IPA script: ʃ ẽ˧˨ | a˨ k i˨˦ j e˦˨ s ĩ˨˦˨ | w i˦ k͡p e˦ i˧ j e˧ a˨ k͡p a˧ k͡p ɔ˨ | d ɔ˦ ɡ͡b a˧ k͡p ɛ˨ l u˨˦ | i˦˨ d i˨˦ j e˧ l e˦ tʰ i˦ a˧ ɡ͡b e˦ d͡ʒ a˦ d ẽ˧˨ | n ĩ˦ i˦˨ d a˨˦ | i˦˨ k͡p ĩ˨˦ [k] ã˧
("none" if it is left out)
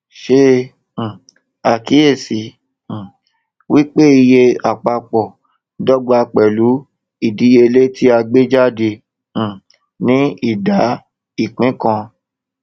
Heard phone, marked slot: k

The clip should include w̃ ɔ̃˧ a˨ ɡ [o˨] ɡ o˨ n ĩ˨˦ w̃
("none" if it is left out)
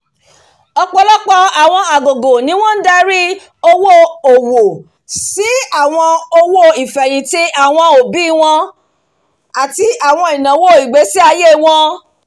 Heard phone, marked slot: o˨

